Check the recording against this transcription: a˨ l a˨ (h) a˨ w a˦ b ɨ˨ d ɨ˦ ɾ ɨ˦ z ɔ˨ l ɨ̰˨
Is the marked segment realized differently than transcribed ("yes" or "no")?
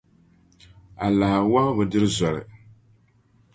no